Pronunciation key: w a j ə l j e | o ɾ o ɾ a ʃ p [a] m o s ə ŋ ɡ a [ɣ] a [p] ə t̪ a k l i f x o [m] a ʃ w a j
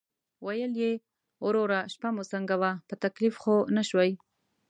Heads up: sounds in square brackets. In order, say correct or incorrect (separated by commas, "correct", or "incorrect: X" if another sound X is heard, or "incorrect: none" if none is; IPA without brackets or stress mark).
correct, incorrect: w, correct, incorrect: n